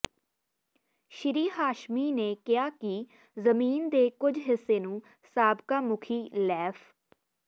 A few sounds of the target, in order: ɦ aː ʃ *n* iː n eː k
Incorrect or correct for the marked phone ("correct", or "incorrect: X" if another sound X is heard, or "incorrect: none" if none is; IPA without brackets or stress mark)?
incorrect: m